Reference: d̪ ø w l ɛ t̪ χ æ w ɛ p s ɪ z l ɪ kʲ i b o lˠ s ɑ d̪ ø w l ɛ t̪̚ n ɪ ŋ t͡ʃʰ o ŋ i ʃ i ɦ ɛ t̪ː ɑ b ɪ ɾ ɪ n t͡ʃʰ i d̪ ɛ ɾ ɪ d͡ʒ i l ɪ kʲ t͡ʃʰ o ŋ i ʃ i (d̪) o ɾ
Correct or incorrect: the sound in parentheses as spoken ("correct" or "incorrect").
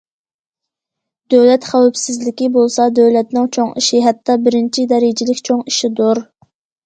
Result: correct